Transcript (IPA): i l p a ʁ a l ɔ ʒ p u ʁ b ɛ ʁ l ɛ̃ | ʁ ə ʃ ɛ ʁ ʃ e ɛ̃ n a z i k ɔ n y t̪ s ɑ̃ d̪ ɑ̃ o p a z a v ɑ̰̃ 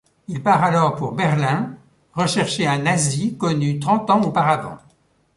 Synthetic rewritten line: i l p a ʁ a l ɔ ʁ p u ʁ b ɛ ʁ l ɛ̃ | ʁ ə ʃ ɛ ʁ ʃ e ɛ̃ n a z i k ɔ n y t̪ χ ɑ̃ t̪ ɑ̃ o p a ʁ a v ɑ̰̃